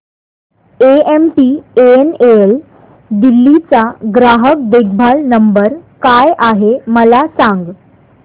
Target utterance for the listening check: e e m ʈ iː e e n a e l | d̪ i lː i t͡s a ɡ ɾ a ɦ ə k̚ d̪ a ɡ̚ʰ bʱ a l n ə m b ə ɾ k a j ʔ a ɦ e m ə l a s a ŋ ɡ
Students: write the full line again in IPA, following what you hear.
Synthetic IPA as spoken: e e m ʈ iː e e n e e l | d̪ i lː i t͡s a ɡ ɾ a ɦ ə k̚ d̪ e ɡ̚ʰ bʱ a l n ə m b ə ɾ k a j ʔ a ɦ e m ə l a s a ŋ ɡ